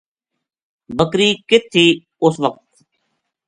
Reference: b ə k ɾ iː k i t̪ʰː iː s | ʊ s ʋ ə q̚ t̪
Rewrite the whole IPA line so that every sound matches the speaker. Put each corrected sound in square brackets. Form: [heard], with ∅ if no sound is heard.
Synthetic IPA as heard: b ə k ɾ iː k [ɪ] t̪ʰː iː [∅] | ʊ s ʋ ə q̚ t̪